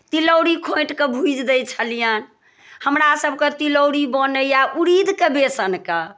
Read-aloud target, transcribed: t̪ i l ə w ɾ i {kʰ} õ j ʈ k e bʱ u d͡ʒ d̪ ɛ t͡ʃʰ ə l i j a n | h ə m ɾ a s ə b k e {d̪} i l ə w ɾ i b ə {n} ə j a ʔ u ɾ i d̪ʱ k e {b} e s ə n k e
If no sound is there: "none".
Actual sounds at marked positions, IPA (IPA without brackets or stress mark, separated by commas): kʰ, t̪, n, b